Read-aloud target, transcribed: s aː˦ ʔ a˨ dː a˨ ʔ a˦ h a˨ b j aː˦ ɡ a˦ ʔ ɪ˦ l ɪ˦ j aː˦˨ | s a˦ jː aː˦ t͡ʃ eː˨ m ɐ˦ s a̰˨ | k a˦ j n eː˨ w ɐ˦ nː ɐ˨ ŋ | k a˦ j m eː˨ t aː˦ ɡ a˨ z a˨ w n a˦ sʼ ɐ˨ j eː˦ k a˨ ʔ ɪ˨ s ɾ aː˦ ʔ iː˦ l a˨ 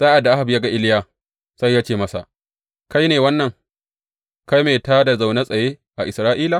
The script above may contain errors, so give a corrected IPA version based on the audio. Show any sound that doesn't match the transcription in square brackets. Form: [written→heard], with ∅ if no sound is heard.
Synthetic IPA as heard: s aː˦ ʔ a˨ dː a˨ ʔ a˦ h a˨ b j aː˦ ɡ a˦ ʔ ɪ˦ l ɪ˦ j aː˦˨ | s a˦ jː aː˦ t͡ʃ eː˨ m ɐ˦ s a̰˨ | k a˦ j n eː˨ w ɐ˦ nː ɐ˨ ŋ | k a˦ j m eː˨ t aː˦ [ɡ→d] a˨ z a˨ w n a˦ sʼ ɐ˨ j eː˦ [k→ʔ] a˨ ʔ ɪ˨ s ɾ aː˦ ʔ iː˦ l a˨